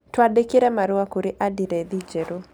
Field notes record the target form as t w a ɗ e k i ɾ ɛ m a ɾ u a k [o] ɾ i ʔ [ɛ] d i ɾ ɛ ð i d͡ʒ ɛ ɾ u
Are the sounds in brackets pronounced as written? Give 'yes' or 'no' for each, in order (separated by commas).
no, no